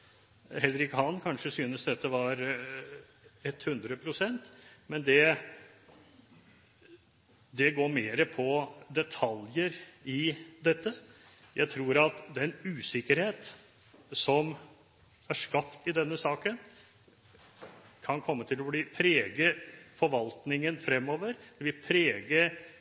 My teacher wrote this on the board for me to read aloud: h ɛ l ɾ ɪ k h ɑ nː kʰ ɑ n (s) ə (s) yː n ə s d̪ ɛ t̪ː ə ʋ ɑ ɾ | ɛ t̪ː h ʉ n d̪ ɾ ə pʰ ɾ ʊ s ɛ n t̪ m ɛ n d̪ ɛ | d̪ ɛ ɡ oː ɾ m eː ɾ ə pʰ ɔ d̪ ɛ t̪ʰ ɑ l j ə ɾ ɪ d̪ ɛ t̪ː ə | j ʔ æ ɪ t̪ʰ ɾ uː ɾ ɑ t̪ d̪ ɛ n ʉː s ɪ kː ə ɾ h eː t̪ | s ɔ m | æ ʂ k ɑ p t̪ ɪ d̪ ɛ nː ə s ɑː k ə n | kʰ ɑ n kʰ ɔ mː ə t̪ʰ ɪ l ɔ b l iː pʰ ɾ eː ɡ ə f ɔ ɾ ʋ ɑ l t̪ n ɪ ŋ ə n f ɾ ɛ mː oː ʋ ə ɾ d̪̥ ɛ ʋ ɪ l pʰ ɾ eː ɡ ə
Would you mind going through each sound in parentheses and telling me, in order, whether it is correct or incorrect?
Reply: incorrect: ʂ, correct

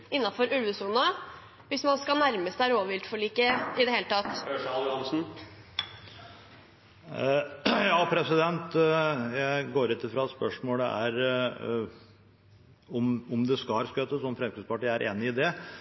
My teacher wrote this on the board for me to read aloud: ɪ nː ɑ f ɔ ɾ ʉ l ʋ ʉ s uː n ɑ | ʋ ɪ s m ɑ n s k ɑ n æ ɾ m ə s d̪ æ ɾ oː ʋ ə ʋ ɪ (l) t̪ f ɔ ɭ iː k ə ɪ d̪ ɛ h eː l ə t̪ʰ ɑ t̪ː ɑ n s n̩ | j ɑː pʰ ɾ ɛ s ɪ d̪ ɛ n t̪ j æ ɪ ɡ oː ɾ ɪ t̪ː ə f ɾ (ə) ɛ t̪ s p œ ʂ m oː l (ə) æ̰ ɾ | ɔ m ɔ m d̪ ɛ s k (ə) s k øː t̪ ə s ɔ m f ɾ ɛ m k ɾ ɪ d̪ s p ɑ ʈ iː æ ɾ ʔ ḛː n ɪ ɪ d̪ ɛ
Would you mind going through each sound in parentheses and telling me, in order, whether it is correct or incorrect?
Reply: correct, incorrect: ɑ, correct, incorrect: ɑ

